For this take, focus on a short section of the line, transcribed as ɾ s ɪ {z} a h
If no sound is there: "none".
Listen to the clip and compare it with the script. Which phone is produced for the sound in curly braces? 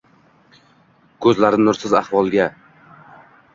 z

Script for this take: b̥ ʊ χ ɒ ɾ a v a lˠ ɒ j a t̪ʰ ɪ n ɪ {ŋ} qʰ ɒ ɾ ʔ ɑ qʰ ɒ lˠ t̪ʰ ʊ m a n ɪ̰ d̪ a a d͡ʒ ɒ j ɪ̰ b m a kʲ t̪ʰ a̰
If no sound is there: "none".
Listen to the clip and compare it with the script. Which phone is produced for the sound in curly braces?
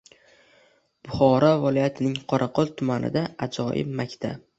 ŋ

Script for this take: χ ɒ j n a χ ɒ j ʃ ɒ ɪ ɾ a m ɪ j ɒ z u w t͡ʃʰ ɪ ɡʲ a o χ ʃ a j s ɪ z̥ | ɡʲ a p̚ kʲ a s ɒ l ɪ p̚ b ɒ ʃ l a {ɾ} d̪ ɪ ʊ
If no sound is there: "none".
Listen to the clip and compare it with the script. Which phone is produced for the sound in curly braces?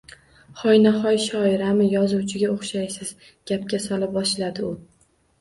none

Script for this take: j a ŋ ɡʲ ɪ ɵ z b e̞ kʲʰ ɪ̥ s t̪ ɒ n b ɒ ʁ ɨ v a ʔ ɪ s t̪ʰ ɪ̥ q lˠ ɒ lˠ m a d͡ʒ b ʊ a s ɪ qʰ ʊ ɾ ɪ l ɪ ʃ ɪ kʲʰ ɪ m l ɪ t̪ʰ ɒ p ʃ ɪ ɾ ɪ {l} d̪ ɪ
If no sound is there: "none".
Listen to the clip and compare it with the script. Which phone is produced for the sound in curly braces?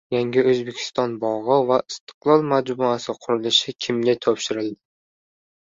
l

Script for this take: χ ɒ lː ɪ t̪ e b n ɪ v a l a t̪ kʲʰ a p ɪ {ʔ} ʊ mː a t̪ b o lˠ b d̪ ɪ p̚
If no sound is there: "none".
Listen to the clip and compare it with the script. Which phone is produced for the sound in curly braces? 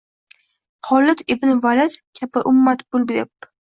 ʔ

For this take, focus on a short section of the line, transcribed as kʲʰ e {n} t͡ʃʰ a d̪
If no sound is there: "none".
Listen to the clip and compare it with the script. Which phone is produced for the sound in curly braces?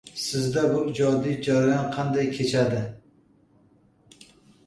none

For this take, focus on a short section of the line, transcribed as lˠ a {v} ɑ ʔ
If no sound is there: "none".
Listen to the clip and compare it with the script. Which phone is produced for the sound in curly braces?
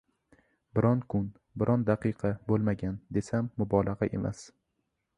ʁ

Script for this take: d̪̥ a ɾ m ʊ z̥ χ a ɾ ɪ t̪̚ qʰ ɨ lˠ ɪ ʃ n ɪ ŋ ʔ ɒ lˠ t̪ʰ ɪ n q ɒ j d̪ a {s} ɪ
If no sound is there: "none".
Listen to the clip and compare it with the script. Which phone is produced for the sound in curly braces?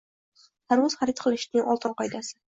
s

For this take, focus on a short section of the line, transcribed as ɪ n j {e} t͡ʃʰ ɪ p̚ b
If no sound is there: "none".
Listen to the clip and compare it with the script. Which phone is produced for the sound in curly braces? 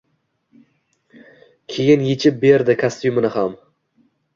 e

